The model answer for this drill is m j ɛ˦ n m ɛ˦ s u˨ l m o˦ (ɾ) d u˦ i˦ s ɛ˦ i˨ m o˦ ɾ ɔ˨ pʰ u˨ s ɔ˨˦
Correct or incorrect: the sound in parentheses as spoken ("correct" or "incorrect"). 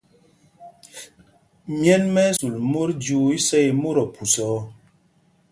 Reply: correct